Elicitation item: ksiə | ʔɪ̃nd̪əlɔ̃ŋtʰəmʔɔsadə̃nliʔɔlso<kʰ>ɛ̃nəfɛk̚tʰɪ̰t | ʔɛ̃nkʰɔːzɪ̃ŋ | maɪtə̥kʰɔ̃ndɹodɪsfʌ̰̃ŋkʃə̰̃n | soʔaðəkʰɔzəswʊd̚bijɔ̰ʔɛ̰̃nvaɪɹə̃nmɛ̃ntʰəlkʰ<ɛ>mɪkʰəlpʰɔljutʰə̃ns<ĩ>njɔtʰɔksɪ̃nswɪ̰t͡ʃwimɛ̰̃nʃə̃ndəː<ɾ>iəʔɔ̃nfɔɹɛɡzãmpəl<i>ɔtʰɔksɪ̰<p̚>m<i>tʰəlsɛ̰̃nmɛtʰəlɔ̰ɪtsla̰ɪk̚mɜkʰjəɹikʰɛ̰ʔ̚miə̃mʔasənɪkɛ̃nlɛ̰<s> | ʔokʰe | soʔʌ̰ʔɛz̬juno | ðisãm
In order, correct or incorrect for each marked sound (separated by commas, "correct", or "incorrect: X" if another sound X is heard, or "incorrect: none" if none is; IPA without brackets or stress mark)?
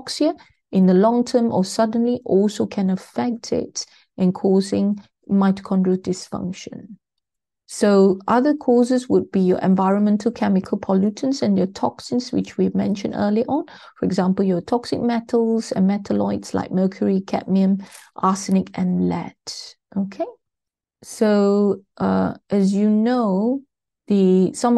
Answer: correct, correct, incorrect: ɛ̃, incorrect: l, incorrect: j, incorrect: k̚, incorrect: ɛ, incorrect: t